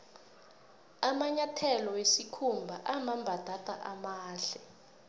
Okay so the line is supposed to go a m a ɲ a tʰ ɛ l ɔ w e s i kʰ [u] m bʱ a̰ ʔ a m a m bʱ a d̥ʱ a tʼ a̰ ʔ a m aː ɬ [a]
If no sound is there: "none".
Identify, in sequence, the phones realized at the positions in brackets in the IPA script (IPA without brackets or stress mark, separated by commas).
u, ɛ